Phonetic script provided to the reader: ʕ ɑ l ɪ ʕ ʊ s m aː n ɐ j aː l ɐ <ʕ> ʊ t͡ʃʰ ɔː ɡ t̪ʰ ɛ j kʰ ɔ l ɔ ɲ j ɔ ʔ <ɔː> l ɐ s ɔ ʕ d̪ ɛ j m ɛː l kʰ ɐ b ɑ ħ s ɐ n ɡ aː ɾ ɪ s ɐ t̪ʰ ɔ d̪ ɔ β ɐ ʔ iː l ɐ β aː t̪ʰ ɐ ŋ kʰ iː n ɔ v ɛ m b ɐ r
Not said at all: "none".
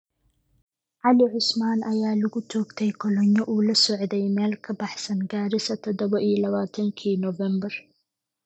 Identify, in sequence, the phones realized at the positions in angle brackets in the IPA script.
ɣ, uː

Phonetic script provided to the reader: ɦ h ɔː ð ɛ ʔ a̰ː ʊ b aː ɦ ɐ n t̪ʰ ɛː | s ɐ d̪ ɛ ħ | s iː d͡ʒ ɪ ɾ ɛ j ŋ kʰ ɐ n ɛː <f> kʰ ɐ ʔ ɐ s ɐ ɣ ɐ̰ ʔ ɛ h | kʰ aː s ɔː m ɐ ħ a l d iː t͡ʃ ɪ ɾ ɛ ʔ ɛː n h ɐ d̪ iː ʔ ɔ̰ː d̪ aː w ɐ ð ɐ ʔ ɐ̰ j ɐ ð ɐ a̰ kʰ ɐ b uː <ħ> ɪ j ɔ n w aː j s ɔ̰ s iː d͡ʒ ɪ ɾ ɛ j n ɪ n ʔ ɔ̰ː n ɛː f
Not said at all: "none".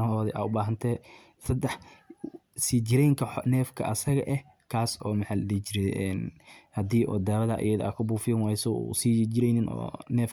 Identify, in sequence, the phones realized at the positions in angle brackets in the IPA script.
f, f

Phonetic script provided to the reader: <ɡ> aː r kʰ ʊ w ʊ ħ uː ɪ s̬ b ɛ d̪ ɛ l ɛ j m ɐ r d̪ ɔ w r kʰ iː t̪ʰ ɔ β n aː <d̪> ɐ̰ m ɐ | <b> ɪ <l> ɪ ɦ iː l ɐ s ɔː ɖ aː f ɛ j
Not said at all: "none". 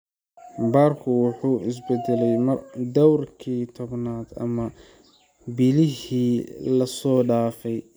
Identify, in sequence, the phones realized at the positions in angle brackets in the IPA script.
b, d̪, b, l

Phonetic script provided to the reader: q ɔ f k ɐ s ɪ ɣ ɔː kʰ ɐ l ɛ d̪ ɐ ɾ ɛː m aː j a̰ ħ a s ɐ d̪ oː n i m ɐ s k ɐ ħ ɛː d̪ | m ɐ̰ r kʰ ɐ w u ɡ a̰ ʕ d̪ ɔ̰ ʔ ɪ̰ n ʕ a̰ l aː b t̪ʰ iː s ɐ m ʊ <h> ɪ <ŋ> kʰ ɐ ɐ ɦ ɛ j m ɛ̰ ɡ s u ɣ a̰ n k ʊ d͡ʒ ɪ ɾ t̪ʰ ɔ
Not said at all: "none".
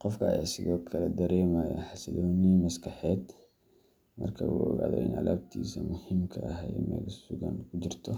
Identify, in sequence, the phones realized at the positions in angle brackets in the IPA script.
h, m

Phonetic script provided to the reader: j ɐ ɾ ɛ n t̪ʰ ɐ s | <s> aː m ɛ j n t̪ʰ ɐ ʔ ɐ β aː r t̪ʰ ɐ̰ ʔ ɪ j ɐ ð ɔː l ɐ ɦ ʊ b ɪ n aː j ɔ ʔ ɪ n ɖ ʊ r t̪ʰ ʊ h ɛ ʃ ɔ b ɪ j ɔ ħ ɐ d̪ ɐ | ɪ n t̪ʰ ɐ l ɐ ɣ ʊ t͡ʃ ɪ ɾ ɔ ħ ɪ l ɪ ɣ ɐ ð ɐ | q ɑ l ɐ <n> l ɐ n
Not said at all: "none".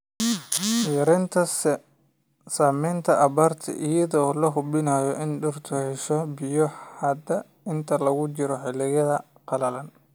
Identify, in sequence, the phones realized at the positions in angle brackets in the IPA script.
s, none

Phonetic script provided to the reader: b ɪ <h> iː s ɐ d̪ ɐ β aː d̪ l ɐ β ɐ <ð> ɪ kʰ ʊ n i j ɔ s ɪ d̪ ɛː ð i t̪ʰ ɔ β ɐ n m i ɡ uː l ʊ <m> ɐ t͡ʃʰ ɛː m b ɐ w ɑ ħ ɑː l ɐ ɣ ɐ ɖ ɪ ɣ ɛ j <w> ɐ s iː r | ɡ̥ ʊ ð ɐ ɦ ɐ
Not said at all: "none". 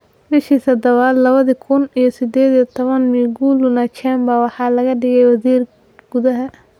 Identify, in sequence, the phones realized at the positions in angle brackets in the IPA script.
ʃ, ð, n, w

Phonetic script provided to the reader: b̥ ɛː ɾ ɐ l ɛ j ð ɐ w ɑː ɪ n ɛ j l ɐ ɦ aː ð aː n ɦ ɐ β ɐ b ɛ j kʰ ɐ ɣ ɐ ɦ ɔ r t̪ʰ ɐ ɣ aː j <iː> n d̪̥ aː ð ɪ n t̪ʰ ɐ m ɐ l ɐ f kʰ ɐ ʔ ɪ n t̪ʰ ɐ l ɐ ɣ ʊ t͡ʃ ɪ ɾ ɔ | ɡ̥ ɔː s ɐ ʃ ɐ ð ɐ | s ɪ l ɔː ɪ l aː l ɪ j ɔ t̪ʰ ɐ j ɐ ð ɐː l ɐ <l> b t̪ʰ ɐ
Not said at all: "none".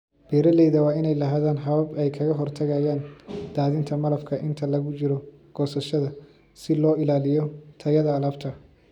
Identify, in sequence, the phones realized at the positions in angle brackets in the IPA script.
aː, none

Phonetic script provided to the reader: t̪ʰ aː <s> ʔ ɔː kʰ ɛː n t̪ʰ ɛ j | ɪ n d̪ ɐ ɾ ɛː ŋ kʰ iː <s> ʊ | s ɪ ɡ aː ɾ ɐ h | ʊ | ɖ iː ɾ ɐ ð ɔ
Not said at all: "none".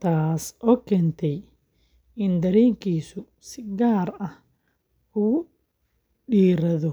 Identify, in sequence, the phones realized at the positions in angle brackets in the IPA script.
s, s

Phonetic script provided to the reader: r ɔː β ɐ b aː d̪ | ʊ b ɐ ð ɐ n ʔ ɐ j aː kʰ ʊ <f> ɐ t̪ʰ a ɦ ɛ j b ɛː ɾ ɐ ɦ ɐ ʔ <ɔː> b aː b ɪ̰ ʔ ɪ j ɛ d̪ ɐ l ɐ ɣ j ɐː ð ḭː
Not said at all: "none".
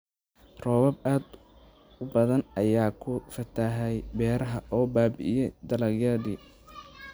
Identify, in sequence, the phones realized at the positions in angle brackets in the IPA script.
f, ɔː

